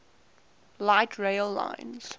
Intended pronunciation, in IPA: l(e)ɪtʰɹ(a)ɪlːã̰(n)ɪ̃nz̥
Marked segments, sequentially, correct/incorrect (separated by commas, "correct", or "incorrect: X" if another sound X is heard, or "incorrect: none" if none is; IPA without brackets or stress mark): incorrect: a, incorrect: e, incorrect: none